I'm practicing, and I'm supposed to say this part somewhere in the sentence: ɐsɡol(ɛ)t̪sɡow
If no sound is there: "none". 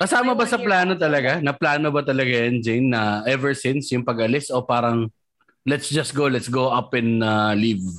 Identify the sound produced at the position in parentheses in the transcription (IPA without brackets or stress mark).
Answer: ɛ